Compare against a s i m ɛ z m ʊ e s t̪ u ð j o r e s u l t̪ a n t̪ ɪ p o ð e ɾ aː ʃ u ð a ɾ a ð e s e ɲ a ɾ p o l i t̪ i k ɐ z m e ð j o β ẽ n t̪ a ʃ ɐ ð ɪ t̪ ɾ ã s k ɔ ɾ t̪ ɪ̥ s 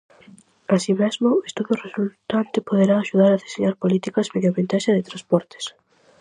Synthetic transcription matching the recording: a s i m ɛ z m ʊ e s t̪ u ð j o r e s u l t̪ a n t̪ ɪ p o ð e ɾ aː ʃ u ð a ɾ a ð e s e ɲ a ɾ p o l i t̪ i k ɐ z m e ð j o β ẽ n t̪ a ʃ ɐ ð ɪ t̪ ɾ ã s p ɔ ɾ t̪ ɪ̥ s